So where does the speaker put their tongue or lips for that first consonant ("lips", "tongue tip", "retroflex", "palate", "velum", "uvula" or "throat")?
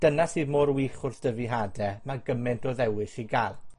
tongue tip